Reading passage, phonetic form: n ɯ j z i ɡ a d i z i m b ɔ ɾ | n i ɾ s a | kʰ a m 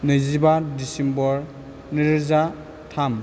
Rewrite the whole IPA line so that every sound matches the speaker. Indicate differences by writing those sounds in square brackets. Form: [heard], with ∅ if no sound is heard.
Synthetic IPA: n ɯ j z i [b] a d i [s] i m b ɔ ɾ | n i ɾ [z] a | [tʰ] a m